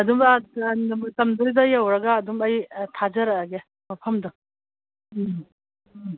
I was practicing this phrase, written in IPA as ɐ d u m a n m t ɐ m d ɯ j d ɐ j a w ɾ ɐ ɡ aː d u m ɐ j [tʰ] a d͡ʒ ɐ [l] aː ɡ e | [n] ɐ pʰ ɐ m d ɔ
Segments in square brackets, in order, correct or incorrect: correct, incorrect: ɾ, incorrect: m

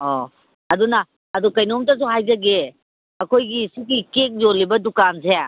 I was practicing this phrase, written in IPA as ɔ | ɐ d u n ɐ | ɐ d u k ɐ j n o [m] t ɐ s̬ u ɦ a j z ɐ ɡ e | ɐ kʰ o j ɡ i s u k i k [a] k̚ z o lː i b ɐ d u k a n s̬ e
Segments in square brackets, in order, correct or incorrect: correct, incorrect: e

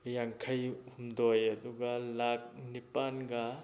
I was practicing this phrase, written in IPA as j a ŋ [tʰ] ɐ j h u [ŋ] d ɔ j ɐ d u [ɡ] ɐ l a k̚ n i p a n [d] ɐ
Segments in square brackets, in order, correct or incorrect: incorrect: kʰ, incorrect: m, correct, incorrect: ɡ

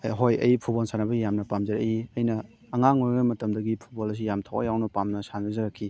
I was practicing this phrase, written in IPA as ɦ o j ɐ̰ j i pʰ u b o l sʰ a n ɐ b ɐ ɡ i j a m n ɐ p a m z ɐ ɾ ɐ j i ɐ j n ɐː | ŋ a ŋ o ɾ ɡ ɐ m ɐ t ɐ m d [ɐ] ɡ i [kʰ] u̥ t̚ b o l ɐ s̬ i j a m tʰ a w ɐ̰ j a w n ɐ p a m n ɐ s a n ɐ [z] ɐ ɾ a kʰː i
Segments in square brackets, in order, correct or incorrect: correct, incorrect: pʰ, correct

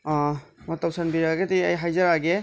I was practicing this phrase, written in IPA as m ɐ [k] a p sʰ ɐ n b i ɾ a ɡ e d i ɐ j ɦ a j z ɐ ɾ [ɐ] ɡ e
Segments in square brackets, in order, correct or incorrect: incorrect: t, incorrect: a

